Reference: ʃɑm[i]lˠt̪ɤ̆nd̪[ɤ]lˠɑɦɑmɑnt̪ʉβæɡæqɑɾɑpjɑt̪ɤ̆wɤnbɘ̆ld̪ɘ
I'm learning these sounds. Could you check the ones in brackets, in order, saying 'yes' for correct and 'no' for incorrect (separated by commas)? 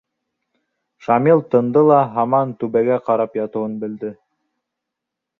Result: yes, yes